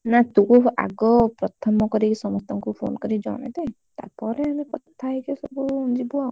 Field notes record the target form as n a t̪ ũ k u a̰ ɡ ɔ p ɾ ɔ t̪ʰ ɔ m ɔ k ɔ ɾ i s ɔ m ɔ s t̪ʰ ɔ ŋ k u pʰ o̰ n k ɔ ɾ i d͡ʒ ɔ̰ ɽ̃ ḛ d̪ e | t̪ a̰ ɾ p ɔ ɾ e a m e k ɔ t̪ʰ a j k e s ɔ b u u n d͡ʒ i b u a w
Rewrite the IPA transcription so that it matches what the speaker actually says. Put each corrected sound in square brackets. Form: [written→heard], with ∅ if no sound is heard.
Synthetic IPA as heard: n a t̪ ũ k u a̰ ɡ ɔ p ɾ ɔ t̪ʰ ɔ m ɔ k ɔ ɾ i s ɔ m ɔ s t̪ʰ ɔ ŋ k u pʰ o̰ n k ɔ ɾ i d͡ʒ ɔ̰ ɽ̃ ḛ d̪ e | t̪ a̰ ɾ p ɔ ɾ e a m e k ɔ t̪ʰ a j k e s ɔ b u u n d͡ʒ i b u a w